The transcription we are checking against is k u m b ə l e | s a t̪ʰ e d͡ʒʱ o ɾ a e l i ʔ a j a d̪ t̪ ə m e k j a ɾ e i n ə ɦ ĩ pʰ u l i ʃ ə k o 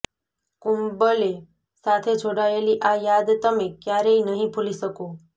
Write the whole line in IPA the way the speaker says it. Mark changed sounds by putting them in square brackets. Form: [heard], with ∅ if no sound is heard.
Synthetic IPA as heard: k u m b ə l e | s a t̪ʰ e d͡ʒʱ o [ɽ] a e l i ʔ a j a d̪ t̪ ə m e k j a ɾ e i n ə ɦ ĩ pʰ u l i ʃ ə k o